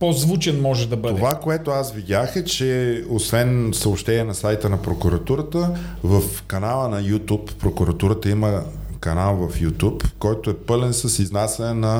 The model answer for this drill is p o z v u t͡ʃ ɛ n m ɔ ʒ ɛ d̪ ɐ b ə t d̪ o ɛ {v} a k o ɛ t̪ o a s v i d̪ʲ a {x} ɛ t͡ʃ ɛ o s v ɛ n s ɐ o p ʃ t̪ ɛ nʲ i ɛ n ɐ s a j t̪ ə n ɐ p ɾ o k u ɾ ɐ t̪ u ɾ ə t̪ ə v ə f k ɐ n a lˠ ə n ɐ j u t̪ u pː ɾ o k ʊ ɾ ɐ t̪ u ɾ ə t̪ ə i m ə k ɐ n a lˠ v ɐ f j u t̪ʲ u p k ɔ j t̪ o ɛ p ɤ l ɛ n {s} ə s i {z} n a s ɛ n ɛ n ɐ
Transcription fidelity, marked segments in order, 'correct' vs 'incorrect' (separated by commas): correct, correct, correct, correct